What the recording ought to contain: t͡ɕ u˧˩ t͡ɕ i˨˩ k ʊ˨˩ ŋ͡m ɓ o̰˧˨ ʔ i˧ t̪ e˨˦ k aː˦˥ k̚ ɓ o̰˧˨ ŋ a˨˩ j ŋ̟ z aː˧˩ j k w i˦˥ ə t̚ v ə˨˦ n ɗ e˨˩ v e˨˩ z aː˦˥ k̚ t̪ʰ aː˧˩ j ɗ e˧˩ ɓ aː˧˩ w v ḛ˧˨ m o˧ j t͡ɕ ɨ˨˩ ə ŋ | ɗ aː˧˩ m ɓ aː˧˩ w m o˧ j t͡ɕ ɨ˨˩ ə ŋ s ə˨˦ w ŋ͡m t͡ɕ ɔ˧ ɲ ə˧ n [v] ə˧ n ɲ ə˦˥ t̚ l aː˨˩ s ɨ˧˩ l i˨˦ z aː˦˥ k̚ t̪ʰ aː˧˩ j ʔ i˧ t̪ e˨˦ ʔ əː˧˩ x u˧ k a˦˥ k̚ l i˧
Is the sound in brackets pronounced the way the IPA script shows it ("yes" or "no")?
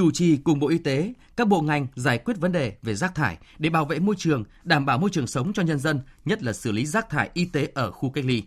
no